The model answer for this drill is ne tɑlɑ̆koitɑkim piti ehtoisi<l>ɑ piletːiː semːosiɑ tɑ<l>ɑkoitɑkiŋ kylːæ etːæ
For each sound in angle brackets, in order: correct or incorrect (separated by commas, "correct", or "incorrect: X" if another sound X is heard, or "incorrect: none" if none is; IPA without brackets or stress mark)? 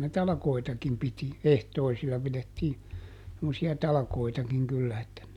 incorrect: lː, correct